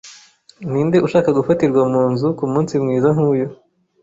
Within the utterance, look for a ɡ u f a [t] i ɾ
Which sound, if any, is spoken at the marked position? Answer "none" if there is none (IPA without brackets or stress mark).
t